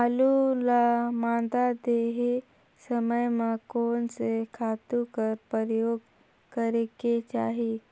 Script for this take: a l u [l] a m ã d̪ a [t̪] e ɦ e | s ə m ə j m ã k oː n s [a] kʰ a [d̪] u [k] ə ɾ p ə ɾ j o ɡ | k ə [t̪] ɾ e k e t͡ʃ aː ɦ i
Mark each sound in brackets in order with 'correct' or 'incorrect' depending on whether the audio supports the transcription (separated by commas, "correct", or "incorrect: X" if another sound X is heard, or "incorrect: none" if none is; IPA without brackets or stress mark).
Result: correct, incorrect: d̪, incorrect: e, incorrect: t̪, correct, incorrect: none